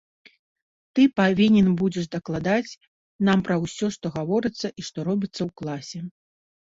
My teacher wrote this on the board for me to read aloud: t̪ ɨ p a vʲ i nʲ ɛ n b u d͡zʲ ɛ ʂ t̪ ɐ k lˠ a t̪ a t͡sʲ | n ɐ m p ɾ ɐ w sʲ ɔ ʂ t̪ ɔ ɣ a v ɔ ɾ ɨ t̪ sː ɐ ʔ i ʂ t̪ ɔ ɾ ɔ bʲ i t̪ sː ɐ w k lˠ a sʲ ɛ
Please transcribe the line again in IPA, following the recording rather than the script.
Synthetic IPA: t̪ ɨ p a vʲ i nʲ ɛ n b u d͡zʲ ɛ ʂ d̪ ɐ k lˠ a d̪ a t͡sʲ | n a m p ɾ ɐ w sʲ ɔ ʂ t̪ ɔ ɣ a v ɔ ɾ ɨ t̪ sː ɐ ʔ i ʂ t̪ ɔ ɾ ɔ bʲ i t̪ sː ɐ w k lˠ a sʲ ɛ